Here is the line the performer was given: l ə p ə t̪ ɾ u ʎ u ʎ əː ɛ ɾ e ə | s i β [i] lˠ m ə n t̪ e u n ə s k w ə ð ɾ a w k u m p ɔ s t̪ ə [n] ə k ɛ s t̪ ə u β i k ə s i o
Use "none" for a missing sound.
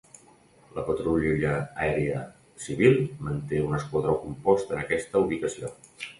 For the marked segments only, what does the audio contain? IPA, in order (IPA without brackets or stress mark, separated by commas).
i, n